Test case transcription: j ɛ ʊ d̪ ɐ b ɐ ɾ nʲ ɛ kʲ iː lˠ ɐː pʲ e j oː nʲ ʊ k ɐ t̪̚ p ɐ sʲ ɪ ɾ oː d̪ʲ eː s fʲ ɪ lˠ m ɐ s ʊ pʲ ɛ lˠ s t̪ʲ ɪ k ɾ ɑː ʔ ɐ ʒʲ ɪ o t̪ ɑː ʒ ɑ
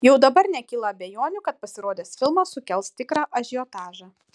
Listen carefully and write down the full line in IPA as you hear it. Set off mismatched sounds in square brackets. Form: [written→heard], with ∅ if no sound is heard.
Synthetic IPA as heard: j ɛ ʊ d̪ ɐ b ɐ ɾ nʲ ɛ kʲ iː lˠ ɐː [pʲ→bʲ] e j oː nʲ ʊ k ɐ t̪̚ p ɐ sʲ ɪ ɾ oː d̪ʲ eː s fʲ ɪ lˠ m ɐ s ʊ [pʲ→kʲ] ɛ lˠ s t̪ʲ ɪ k ɾ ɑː ʔ ɐ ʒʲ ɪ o t̪ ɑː ʒ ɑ